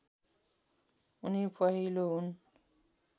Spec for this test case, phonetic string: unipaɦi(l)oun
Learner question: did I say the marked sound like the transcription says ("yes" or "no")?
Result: yes